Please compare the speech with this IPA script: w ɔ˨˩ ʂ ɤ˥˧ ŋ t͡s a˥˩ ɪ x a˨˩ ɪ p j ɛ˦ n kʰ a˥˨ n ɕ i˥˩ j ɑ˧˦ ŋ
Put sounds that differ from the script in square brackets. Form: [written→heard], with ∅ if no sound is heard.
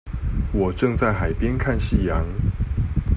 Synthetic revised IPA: w ɔ˨˩ [ʂ→ʈ͡ʂ] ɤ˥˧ ŋ t͡s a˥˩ ɪ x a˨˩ ɪ p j ɛ˦ n kʰ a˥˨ n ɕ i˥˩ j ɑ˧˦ ŋ